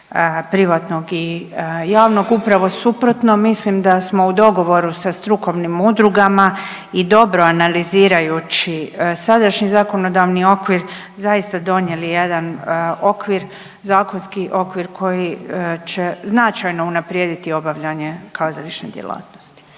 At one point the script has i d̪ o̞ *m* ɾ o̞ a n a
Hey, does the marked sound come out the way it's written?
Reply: no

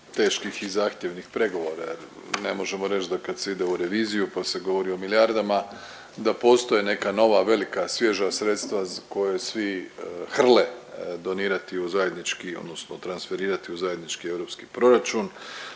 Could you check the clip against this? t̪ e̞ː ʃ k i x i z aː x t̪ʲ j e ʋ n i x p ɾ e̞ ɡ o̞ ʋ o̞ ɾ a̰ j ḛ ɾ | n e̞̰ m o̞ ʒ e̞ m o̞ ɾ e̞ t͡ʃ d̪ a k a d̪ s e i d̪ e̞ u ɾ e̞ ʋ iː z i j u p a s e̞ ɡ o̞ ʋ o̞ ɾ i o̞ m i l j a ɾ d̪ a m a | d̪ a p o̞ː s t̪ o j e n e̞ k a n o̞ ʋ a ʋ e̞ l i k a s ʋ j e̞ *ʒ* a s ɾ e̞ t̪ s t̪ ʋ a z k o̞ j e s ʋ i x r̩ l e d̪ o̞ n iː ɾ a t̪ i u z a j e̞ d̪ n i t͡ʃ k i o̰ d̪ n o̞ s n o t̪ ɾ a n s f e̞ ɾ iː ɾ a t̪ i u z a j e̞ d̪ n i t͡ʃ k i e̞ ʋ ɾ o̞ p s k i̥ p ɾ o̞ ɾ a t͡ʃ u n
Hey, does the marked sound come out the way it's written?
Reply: yes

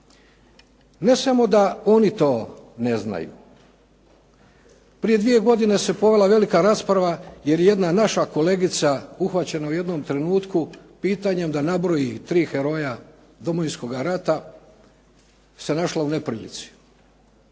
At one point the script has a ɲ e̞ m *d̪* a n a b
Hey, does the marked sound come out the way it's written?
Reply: yes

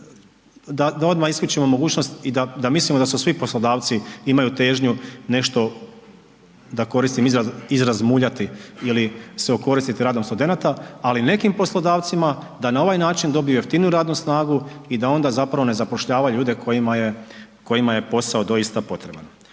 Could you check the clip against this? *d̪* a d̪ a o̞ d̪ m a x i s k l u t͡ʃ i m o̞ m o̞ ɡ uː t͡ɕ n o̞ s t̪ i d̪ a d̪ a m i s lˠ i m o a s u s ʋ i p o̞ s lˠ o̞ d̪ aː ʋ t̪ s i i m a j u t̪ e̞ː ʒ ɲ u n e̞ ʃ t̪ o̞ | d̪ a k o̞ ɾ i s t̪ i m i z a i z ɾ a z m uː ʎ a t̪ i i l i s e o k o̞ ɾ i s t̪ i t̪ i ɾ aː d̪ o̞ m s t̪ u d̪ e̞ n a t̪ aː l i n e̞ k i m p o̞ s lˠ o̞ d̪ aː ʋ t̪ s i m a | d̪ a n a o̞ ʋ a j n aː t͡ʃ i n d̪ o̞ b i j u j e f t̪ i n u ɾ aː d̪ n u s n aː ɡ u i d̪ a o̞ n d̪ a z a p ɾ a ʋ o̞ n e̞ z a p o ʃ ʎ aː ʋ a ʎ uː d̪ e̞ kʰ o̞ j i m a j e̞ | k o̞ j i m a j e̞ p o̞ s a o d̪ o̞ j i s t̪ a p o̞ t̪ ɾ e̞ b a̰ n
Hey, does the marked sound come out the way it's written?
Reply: yes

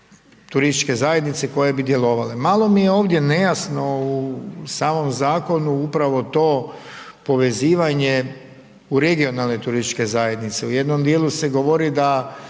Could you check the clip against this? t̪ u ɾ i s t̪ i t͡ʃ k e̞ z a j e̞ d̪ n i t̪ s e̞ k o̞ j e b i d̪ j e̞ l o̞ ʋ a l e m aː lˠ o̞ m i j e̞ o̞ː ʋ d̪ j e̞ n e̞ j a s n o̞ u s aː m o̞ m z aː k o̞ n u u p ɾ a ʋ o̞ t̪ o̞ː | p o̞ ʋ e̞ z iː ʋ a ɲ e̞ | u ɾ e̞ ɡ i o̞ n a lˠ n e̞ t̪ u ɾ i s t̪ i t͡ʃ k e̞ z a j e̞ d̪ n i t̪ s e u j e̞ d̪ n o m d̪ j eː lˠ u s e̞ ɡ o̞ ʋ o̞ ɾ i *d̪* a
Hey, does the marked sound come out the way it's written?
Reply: yes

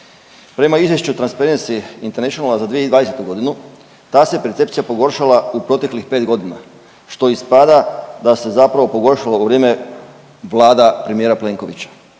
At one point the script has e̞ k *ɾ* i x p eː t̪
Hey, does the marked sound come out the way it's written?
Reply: no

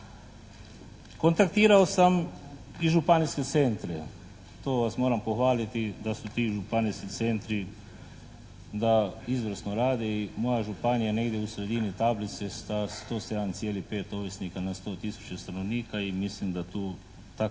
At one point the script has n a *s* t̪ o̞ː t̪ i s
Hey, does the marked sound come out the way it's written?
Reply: yes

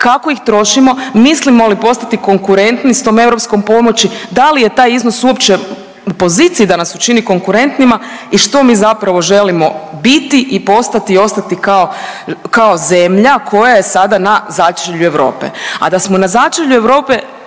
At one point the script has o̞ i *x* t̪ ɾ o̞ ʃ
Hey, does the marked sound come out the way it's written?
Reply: yes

